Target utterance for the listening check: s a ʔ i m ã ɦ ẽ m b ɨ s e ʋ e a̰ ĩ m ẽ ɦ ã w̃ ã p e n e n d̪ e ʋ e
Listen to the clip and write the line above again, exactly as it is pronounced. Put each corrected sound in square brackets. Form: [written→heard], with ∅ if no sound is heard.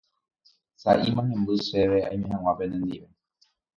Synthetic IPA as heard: s a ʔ i m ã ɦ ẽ m b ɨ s e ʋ e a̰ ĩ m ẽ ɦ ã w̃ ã p e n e n d̪ [e→i] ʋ e